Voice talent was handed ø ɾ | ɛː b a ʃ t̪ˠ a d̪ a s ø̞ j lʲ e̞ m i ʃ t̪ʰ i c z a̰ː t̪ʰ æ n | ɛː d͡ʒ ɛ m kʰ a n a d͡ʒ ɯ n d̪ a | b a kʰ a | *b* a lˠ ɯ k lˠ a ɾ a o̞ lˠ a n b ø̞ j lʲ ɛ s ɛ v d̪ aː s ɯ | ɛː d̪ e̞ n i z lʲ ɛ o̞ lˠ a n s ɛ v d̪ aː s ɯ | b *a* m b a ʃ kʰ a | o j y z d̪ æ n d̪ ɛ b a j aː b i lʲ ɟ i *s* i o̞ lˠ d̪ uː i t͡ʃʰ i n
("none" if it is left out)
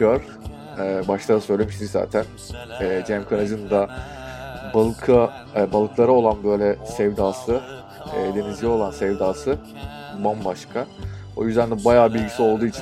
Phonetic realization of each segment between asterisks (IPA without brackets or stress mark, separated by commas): b, a, s